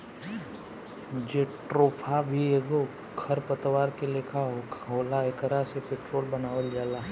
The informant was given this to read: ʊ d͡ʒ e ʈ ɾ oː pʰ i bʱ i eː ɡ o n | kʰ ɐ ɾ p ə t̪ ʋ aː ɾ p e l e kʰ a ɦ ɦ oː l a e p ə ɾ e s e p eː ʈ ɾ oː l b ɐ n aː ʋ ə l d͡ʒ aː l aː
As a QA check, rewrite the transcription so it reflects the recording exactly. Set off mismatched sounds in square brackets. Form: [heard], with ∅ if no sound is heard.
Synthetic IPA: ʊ d͡ʒ e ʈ ɾ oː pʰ [a] bʱ i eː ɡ o [∅] | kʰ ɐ ɾ p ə t̪ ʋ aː ɾ [k] e l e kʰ a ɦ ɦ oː l a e [k] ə ɾ [a] s e p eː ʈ ɾ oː l b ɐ n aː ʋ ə l d͡ʒ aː l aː